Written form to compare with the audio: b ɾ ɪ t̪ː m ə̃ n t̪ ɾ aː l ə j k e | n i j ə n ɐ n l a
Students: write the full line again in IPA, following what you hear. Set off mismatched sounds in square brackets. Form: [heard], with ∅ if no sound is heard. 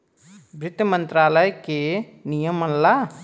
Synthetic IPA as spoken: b ɾ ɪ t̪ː m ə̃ n t̪ ɾ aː l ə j k e | n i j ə [m] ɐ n l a